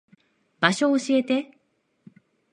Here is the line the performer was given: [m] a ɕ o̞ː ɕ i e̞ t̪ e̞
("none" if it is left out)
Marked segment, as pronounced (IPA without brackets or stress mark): b